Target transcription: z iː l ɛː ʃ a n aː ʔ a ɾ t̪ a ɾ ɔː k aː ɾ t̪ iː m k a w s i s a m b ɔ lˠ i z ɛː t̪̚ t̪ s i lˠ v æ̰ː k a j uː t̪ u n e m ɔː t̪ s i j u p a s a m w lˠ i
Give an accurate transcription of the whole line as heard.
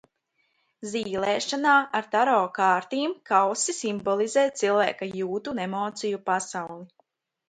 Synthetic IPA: z iː l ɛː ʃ a n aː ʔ a ɾ t̪ a ɾ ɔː k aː ɾ t̪ iː m k a w s i s i m b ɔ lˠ i z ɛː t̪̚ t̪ s i lˠ v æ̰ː k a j uː t̪ u n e m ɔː t̪ s i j u p a s a w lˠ i